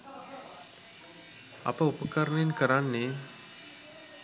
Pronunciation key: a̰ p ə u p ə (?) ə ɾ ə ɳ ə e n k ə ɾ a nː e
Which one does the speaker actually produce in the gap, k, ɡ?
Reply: k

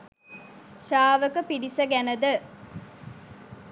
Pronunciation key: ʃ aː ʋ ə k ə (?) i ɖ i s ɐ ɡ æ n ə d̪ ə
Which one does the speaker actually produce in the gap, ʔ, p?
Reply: p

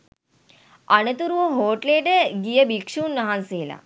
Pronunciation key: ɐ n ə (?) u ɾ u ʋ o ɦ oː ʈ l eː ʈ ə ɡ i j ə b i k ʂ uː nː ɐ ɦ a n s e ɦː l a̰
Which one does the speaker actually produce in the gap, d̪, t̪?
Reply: t̪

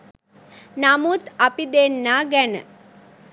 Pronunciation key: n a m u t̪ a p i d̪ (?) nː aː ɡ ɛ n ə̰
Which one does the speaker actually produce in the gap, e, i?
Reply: e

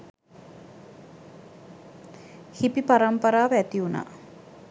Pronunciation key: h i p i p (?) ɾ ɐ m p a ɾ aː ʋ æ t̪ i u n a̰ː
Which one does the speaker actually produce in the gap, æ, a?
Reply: a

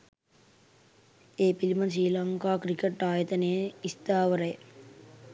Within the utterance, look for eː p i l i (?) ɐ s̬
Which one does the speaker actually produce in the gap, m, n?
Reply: m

